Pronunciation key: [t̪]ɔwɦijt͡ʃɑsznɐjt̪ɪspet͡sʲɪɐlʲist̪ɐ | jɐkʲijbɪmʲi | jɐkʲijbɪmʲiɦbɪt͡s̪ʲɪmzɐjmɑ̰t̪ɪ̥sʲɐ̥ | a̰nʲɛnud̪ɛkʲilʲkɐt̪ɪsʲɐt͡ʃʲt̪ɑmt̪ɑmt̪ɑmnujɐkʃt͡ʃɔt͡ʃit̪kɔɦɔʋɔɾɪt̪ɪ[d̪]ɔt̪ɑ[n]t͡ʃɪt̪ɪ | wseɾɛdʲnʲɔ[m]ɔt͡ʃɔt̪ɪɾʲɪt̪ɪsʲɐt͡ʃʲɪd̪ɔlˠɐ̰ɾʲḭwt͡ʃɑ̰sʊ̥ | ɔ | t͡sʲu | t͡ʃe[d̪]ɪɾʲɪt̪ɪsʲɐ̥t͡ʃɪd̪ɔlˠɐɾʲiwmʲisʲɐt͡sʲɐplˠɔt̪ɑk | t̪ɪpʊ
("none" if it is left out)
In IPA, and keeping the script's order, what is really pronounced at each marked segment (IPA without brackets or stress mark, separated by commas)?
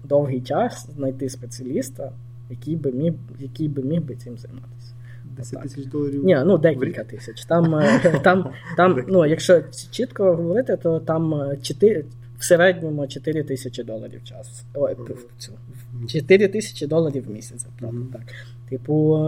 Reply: d̪, t̪, m, m, t̪